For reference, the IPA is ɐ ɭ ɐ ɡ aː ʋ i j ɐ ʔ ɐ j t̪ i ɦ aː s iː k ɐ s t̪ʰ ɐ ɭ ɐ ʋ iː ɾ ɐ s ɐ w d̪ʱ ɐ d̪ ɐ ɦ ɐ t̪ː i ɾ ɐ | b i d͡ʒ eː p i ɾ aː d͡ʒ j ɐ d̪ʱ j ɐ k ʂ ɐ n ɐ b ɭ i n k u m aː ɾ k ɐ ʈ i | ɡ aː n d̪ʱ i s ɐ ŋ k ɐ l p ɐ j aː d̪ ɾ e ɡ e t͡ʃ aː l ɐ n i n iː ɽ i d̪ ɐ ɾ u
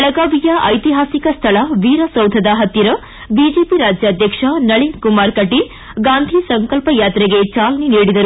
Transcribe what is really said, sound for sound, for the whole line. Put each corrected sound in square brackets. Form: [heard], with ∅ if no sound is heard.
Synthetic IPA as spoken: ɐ ɭ ɐ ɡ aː ʋ i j ɐ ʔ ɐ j t̪ i ɦ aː s [i] k ɐ s t̪ʰ ɐ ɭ ɐ ʋ iː ɾ ɐ s ɐ w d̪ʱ ɐ d̪ ɐ ɦ ɐ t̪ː i ɾ ɐ | b i d͡ʒ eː p i ɾ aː d͡ʒ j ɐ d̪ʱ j ɐ k ʂ ɐ n ɐ [∅] ɭ i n k u m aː ɾ k ɐ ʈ i | ɡ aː n d̪ʱ i s ɐ ŋ k ɐ l p ɐ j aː [t̪] ɾ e ɡ e t͡ʃ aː l ɐ n i n iː ɽ i d̪ ɐ ɾ u